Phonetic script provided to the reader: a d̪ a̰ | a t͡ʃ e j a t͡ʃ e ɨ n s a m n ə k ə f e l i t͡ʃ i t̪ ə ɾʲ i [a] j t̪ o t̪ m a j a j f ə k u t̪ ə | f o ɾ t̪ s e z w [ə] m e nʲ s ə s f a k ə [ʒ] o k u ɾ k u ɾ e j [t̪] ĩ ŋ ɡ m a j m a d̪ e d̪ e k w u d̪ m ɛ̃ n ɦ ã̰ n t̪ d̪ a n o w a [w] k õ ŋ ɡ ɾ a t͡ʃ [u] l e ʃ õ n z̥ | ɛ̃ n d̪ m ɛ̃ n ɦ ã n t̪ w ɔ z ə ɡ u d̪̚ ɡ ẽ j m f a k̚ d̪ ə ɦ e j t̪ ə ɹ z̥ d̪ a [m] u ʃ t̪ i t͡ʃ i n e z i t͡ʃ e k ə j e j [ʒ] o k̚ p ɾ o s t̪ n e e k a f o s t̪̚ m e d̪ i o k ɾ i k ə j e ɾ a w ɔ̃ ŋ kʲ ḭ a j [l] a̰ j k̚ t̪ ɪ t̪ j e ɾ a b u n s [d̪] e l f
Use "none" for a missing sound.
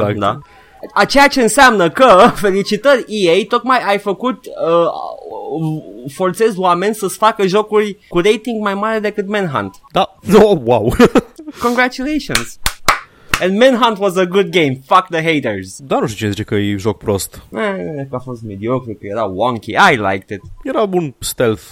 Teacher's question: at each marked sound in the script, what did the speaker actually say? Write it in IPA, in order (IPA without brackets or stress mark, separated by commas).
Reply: e, a, ʒ, t̪, w, u, n, ʒ, l, t̪